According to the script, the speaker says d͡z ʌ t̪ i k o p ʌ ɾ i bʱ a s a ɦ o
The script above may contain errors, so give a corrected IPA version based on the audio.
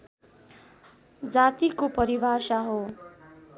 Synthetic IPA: d͡z a t̪ i k o p ʌ ɾ i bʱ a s a ɦ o